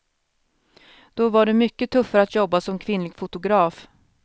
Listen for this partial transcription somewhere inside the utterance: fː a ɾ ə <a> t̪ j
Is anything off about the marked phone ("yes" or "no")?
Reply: no